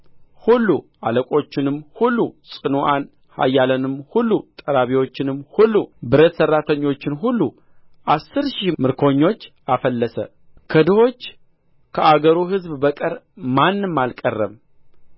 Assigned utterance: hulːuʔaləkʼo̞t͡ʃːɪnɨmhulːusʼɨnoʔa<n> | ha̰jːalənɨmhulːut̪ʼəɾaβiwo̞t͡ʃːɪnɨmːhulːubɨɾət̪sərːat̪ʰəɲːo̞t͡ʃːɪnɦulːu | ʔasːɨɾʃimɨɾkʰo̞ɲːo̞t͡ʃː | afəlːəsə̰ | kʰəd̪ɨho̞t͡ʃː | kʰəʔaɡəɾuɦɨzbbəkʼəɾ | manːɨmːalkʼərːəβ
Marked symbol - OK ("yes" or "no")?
yes